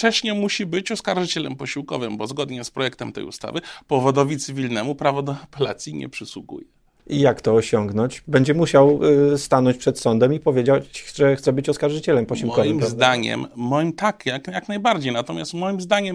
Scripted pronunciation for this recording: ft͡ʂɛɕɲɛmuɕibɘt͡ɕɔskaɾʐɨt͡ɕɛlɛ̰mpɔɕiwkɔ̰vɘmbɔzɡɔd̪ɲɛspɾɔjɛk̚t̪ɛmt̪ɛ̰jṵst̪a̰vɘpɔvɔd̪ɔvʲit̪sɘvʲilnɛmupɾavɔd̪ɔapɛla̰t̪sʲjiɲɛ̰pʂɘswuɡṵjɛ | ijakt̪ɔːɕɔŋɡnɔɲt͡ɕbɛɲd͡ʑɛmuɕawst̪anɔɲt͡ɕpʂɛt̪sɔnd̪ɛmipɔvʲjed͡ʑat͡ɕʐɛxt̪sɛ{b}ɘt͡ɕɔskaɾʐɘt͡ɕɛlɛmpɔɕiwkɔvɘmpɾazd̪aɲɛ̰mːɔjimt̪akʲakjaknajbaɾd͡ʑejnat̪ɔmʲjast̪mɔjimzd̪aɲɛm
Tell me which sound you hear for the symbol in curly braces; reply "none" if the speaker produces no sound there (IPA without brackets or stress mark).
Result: b